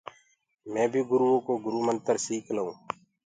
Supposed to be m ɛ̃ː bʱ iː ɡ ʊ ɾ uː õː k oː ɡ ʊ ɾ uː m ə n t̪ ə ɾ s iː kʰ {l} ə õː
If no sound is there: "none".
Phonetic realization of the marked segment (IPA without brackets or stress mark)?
l